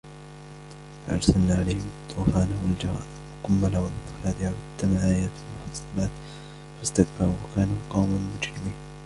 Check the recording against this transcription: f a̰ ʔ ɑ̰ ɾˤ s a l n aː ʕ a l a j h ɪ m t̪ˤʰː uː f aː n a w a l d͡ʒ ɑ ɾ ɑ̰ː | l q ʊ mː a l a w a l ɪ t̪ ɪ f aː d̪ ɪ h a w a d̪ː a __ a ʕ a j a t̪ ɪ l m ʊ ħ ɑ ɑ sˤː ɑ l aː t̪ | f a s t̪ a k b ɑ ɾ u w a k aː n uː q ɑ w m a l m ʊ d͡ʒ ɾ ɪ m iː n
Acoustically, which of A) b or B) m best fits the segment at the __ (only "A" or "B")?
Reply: B